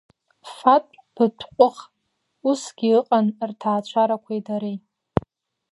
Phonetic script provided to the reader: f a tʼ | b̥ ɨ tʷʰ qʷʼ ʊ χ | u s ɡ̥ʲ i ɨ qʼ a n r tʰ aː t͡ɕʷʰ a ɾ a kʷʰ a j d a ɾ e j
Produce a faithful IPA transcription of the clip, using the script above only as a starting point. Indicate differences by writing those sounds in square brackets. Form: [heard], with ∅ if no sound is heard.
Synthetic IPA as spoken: f a tʼ | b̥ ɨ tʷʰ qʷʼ ʊ χ | u s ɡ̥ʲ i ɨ qʼ a n r tʰ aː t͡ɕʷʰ a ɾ a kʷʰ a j d a ɾ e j